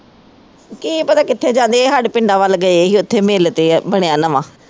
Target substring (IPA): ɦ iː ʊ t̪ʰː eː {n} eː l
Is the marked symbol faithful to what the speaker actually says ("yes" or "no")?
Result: no